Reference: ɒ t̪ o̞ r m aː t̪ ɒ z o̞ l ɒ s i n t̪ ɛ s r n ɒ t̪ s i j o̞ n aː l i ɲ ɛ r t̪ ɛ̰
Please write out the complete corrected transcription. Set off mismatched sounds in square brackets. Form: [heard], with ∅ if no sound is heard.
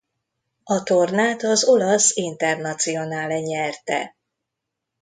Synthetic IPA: ɒ t̪ o̞ r [n] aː t̪ ɒ z o̞ l ɒ s i n t̪ ɛ [∅] r n ɒ t̪ s i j o̞ n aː l [ɛ] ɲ ɛ r t̪ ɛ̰